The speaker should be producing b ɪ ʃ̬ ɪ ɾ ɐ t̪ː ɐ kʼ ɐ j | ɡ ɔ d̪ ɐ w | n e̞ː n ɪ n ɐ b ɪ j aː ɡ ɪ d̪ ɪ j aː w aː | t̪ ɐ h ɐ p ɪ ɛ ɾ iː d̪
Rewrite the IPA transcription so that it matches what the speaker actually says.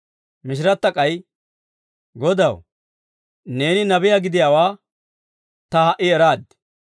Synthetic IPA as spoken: m ɪ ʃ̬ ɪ ɾ ɐ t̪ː ɐ kʼ ɐ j | ɡ ɔ d̪ ɐ w | n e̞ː n ɪ n ɐ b ɪ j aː ɡ ɪ d̪ ɪ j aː w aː | t̪ ɐ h ɐ ʔ ɪ ɛ ɾ aː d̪

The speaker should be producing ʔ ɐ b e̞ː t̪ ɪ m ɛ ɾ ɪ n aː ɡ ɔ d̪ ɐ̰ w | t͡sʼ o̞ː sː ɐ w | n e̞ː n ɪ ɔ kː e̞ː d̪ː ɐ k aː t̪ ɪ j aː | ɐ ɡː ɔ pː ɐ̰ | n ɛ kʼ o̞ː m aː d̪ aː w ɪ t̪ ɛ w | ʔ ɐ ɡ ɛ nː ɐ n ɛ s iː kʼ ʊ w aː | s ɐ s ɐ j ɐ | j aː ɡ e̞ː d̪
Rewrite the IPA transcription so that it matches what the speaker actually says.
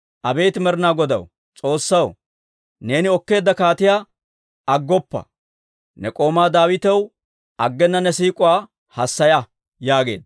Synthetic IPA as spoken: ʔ ɐ b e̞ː t̪ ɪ m ɛ ɾ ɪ n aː ɡ ɔ d̪ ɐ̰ w | t͡sʼ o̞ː sː ɐ w | n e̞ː n ɪ ɔ kː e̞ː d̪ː ɐ k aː t̪ ɪ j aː | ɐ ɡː ɔ pː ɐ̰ | n ɛ kʼ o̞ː m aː d̪ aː w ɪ t̪ ɛ w | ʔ ɐ ɡː ɛ nː ɐ n ɛ s iː kʼ ʊ w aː | h ɐ sː ɐ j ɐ | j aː ɡ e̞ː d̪

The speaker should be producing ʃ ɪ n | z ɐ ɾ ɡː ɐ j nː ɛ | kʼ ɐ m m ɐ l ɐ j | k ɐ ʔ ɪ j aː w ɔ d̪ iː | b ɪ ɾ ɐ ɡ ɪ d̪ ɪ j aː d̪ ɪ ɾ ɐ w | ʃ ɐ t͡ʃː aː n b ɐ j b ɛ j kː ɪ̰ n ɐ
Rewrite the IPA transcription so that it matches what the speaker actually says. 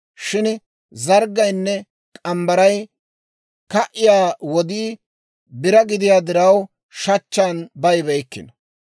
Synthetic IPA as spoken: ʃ ɪ n | z ɐ ɾ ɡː ɐ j nː ɛ | kʼ ɐ m b ɐ ɾ ɐ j | k ɐ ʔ ɪ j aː w ɔ d̪ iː | b ɪ ɾ ɐ ɡ ɪ d̪ ɪ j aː d̪ ɪ ɾ ɐ w | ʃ ɐ t͡ʃː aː n b ɐ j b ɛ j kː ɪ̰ n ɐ

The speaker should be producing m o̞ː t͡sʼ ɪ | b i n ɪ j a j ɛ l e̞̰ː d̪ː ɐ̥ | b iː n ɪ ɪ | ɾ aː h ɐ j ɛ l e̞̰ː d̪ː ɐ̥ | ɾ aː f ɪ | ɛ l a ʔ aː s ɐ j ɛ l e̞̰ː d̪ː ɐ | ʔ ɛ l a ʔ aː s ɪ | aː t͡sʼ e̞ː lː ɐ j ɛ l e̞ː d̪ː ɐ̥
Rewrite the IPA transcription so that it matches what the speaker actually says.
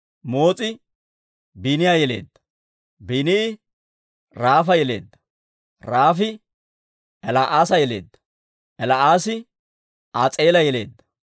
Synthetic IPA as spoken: m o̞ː t͡sʼ ɪ | b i n ɪ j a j ɛ l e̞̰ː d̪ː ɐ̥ | b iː n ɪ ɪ | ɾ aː f ɐ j ɛ l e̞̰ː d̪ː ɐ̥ | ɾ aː f ɪ | ɛ l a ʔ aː s ɐ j ɛ l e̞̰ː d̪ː ɐ | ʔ ɛ l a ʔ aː s ɪ | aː t͡sʼ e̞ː l ɐ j ɛ l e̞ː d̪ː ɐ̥

